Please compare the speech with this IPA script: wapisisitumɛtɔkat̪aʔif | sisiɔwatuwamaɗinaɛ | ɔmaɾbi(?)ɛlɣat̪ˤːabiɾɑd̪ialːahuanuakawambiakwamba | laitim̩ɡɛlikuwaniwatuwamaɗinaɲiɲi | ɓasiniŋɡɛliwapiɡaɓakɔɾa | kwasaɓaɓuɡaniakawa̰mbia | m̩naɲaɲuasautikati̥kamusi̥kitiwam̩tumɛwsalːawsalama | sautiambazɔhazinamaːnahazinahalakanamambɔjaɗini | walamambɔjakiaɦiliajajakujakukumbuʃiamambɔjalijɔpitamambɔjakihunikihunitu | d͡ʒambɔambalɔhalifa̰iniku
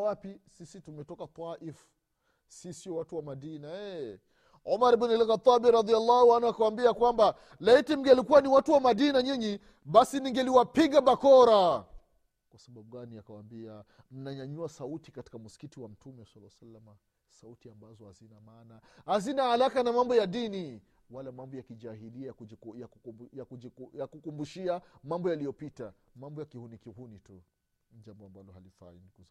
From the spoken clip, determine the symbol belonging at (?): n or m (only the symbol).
n